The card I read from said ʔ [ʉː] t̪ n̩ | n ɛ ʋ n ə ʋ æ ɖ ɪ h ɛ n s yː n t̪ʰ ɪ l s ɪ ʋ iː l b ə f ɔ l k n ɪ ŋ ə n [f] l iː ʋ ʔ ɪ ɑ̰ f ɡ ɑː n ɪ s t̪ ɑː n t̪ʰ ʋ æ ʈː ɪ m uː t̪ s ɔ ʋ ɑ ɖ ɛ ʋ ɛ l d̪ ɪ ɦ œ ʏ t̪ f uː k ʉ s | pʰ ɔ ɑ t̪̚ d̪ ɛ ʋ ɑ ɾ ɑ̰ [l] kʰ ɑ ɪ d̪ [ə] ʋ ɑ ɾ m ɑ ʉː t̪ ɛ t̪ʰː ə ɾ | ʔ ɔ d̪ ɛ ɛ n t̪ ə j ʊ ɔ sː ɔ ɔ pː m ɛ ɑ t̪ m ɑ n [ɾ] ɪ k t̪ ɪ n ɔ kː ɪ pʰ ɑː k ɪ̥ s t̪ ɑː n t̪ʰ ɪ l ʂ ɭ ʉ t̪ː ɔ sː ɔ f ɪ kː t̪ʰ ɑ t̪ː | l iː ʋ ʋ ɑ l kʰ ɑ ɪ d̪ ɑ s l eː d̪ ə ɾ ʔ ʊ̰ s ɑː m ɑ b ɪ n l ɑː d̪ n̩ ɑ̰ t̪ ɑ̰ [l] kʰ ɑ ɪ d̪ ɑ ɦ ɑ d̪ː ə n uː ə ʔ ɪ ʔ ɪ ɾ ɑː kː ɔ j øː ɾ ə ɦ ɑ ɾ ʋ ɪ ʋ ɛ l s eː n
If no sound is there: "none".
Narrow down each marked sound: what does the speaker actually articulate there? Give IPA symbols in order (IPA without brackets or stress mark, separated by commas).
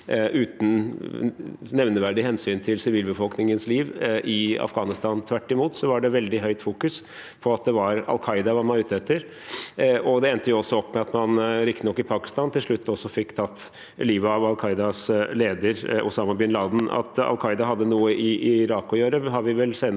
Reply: ʉː, s, l, ɑ, ɾ, l